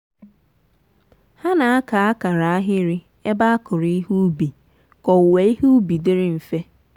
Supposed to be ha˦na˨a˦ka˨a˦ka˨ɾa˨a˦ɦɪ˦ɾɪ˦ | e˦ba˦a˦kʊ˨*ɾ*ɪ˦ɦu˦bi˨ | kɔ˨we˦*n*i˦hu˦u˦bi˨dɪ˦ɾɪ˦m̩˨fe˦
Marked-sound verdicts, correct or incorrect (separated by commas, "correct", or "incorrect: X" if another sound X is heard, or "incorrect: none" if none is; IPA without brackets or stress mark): correct, incorrect: none